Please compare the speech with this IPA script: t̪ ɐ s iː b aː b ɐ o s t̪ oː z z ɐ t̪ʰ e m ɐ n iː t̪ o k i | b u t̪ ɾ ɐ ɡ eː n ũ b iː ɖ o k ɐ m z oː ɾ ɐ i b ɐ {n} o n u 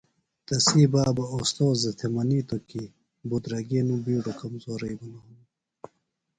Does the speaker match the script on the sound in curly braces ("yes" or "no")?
yes